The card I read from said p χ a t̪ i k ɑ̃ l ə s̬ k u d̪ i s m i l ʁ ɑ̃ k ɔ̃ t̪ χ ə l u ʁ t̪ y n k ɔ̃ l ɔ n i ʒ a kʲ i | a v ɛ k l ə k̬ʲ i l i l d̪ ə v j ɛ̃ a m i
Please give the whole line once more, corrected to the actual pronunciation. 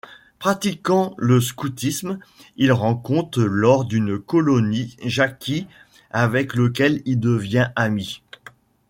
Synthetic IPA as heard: p χ a t̪ i k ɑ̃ l ə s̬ k u t̪ i s m i l ʁ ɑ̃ k ɔ̃ t̪ χ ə l ɔ ʁ d̪ y n k ɔ l ɔ n i ʒ a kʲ i | a v ɛ k l ə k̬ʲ ɛ l i l d̪ ə v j ɛ̃ a m i